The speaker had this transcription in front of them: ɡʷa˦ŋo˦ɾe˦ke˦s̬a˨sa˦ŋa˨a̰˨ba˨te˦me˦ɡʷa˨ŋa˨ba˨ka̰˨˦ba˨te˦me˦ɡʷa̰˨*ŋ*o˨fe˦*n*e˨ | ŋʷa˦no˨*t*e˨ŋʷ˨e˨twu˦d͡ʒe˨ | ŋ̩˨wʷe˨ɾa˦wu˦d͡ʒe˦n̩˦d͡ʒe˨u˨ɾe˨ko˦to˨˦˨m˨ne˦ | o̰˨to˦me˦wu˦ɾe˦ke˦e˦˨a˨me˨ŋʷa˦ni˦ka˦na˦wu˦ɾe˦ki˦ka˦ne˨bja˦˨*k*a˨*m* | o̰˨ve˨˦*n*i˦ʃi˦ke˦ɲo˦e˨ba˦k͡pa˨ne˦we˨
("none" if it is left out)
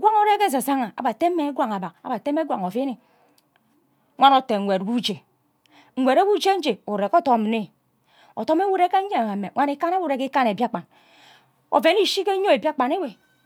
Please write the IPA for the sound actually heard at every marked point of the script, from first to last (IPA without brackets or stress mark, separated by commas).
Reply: ŋ, n, t, k͡p, n, n